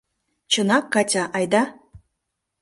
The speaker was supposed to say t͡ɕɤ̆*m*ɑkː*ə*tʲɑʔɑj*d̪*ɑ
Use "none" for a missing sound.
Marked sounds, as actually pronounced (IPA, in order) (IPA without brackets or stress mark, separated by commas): n, ɑ, d̪